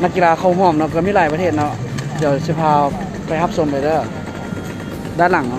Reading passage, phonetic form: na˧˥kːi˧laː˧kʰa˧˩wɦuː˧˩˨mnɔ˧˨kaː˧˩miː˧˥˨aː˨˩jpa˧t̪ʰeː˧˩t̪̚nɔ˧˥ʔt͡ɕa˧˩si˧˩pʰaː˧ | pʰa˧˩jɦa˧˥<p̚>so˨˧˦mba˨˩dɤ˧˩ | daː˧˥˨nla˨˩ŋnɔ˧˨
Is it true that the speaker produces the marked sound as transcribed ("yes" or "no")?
yes